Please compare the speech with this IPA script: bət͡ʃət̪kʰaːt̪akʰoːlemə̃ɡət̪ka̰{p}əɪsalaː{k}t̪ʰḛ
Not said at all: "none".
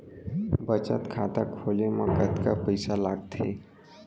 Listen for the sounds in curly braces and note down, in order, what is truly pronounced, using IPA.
p, ɡ

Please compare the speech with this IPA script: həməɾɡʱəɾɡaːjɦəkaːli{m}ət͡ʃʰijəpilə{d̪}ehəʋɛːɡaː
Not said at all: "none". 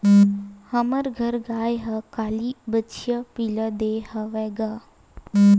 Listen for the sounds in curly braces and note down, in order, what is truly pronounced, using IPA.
b, d̪

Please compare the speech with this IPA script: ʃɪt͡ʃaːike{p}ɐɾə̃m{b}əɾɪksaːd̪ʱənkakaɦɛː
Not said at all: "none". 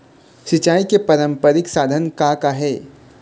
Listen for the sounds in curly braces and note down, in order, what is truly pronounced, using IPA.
p, p

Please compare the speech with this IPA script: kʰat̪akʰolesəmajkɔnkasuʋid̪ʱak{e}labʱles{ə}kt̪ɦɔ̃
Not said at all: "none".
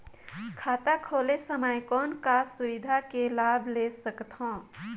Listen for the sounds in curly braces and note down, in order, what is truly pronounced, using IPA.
e, ə

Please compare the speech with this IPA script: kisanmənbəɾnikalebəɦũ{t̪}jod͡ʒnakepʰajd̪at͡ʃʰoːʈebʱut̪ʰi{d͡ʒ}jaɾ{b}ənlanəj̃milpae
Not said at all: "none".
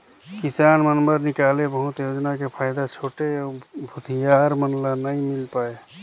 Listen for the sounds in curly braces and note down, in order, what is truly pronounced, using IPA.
t̪, none, m

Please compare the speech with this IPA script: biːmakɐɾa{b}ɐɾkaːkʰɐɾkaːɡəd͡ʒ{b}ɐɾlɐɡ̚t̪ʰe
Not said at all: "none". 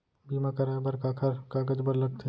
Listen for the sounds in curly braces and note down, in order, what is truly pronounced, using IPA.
b, b

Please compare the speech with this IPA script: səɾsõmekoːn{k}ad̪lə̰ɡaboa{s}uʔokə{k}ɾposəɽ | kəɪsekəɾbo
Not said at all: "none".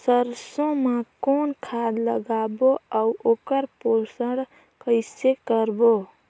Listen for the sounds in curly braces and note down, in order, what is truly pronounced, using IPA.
kʰ, none, none

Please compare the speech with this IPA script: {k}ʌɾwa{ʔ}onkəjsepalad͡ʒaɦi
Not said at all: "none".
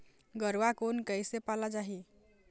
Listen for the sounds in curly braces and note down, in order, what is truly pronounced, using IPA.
ɡ, k

